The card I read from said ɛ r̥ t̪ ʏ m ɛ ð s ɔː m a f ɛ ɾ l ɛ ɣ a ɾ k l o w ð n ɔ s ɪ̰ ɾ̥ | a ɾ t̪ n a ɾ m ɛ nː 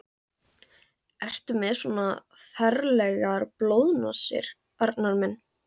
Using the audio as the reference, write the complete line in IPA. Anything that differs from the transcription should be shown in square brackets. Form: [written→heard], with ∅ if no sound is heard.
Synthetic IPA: ɛ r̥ t̪ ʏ m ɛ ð s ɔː [m→n] a f ɛ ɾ l ɛ ɣ a ɾ [k→p] l o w ð n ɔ s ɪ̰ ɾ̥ | a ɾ t̪ n a ɾ m ɛ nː